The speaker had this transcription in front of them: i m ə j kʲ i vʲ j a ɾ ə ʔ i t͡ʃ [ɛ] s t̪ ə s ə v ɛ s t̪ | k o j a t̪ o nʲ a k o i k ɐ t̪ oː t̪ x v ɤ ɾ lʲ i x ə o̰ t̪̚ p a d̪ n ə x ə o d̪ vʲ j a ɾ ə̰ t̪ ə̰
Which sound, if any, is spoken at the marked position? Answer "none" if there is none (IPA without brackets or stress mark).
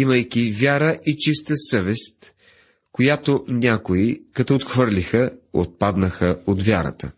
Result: i